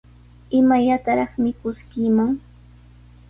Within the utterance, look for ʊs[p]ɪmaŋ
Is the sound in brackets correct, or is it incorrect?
incorrect